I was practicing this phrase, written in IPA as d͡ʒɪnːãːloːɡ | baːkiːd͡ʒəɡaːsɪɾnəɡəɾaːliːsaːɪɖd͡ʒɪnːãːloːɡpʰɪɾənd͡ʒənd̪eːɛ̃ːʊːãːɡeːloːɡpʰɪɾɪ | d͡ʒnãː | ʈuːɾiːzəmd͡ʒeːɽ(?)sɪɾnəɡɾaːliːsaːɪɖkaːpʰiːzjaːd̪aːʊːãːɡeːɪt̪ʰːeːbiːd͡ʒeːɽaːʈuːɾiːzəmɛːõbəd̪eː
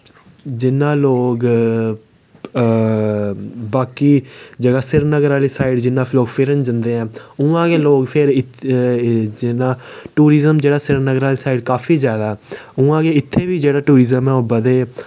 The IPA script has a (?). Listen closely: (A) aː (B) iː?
A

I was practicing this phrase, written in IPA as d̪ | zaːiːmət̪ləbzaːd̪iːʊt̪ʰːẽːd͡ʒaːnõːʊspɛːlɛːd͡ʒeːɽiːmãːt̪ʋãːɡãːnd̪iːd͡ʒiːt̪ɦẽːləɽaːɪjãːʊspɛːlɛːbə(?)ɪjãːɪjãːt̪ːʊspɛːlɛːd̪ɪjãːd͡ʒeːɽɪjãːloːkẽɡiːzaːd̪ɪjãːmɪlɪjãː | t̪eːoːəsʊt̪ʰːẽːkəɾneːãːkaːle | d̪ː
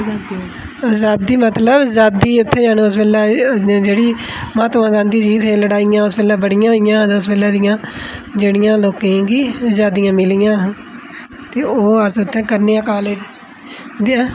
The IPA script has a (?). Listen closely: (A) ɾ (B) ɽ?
B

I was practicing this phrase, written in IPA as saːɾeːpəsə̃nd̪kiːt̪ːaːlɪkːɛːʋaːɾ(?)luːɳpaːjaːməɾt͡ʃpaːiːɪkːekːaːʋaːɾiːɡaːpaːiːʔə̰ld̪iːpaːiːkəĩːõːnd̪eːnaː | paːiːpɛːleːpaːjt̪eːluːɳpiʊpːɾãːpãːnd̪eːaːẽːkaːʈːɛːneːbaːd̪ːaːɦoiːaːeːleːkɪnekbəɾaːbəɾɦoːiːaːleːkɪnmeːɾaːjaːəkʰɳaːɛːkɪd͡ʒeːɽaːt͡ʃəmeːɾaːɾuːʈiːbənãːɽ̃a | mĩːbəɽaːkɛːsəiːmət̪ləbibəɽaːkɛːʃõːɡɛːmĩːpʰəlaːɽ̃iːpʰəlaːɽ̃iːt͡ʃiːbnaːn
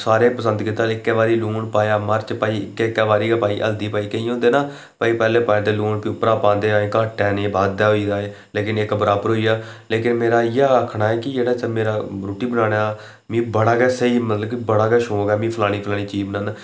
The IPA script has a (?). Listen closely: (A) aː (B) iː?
B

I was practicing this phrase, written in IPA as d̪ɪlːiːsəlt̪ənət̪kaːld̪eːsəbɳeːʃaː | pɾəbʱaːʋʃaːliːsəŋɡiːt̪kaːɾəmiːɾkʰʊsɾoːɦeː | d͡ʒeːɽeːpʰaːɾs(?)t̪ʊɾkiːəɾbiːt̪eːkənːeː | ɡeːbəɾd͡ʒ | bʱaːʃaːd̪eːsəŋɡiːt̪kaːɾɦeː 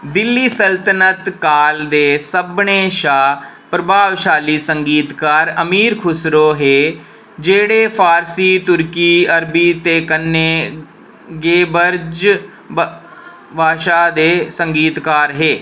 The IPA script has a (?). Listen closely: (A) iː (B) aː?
A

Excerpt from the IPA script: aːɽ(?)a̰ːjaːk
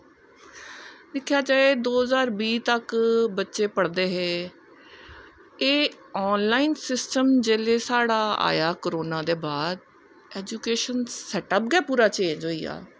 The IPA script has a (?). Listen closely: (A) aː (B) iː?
A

